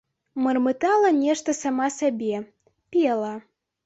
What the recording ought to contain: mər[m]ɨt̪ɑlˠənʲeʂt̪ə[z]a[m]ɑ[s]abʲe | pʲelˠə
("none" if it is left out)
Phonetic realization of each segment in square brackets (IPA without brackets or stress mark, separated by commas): m, s, m, s